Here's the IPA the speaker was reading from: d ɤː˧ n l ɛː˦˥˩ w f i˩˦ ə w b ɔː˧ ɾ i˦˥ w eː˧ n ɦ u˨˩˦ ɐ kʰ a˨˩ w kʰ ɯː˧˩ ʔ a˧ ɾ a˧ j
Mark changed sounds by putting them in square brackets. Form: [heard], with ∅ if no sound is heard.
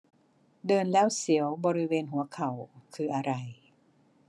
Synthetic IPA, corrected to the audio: d ɤː˧ n l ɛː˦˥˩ w [s] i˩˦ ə w b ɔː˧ ɾ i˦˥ w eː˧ n ɦ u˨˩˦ ɐ kʰ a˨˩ w kʰ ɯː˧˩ ʔ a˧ ɾ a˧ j